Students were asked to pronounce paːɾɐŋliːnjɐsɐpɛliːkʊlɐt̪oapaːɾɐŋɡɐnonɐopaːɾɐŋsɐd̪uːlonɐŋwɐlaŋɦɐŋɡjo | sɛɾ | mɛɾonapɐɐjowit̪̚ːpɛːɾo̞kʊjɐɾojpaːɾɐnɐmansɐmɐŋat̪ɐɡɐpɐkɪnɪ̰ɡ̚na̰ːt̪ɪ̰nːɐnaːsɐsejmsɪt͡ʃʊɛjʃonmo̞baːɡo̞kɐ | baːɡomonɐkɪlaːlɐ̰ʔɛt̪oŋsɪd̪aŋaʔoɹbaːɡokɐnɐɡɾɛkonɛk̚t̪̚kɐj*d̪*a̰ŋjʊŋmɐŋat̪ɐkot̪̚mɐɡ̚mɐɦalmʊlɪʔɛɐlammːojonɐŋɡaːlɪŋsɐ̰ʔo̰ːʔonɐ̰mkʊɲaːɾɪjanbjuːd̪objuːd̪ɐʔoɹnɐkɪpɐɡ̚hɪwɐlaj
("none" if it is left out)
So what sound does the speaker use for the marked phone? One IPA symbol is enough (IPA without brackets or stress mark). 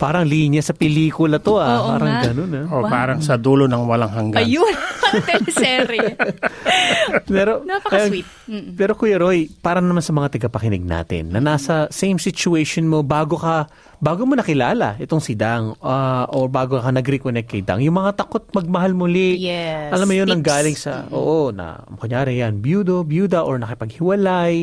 d̪